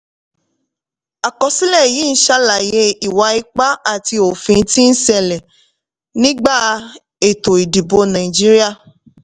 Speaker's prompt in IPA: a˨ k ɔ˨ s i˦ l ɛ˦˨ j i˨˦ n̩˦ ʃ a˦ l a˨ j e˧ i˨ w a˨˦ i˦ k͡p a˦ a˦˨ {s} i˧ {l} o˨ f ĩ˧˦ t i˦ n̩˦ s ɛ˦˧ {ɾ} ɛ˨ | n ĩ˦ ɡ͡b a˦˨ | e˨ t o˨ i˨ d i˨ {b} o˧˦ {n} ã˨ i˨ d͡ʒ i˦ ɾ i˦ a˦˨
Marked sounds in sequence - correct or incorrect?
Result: incorrect, incorrect, incorrect, correct, correct

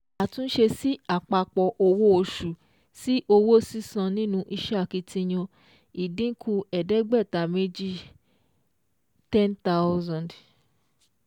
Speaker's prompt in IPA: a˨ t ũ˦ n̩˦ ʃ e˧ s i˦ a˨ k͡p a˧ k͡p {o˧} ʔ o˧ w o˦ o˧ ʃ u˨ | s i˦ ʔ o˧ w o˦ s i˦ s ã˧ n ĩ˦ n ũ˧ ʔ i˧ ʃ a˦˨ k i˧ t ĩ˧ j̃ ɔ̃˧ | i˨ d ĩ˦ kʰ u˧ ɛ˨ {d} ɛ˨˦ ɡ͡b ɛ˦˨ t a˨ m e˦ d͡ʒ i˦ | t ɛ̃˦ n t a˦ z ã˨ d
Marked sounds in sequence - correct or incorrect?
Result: incorrect, correct

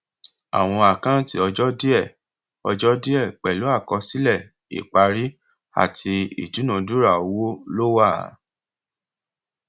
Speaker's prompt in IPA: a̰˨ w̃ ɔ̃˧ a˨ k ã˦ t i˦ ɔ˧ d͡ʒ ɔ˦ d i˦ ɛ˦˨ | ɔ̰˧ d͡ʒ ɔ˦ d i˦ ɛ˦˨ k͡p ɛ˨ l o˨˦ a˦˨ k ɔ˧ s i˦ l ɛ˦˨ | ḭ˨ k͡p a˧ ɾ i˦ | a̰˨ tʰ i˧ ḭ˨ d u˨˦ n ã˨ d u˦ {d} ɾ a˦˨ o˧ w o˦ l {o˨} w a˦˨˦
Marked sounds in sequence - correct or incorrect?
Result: incorrect, incorrect

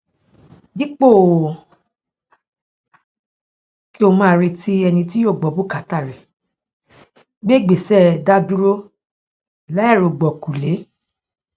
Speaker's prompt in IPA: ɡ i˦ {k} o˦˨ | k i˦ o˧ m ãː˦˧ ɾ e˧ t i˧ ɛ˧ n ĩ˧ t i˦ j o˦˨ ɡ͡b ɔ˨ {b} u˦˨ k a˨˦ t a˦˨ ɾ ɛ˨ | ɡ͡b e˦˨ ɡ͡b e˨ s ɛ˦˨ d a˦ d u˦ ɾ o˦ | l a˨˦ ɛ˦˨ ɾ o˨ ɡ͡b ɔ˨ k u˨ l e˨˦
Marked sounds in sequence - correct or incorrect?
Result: incorrect, correct

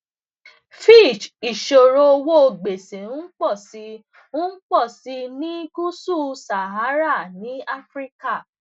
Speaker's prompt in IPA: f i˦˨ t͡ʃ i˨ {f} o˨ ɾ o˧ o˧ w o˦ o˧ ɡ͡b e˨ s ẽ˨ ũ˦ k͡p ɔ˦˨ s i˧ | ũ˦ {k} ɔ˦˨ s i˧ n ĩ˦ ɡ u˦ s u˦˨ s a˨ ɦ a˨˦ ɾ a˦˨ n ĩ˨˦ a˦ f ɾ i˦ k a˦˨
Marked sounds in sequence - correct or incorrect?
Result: incorrect, incorrect

